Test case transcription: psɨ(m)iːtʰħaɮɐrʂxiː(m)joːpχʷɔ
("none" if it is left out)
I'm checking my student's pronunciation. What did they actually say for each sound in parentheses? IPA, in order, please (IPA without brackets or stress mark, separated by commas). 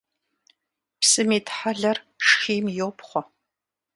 m, m